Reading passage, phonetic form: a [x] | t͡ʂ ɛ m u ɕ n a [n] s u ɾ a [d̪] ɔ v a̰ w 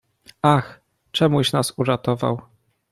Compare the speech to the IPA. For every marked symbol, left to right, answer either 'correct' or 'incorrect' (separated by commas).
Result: correct, incorrect, incorrect